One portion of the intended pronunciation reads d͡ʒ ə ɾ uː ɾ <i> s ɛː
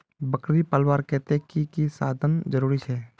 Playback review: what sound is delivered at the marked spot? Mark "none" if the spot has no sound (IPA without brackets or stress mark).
i